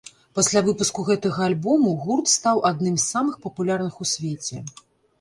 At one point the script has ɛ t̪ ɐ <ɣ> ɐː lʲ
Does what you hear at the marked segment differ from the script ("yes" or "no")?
no